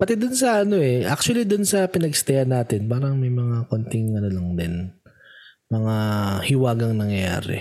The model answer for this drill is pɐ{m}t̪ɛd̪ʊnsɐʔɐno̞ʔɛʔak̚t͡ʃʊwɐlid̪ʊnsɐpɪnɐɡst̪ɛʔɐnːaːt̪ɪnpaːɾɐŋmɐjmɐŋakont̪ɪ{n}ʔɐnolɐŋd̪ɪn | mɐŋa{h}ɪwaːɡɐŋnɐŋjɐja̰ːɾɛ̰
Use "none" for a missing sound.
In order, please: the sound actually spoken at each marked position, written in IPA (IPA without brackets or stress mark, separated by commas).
none, ŋ, h